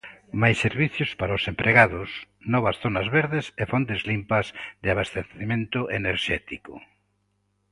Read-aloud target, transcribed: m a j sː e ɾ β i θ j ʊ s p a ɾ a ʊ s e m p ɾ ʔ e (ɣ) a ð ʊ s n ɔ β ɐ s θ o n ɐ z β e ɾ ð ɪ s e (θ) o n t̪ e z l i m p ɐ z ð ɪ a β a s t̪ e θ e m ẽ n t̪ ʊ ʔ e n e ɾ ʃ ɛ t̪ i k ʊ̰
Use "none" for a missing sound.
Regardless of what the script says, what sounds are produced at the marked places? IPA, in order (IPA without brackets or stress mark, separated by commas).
ɣ, f